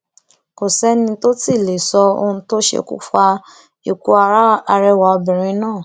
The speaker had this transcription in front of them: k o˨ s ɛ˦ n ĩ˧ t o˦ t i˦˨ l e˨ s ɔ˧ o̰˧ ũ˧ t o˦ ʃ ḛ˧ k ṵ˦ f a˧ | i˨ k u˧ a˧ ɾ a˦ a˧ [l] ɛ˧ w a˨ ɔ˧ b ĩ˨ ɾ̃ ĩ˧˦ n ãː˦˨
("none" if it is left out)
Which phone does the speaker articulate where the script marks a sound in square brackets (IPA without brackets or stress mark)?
ɾ